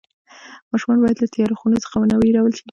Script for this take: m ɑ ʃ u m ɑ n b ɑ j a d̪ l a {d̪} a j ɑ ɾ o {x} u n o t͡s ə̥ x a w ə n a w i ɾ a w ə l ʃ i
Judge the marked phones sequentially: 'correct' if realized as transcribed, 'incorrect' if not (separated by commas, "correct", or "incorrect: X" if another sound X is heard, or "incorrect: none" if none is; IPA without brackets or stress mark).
incorrect: t̪, correct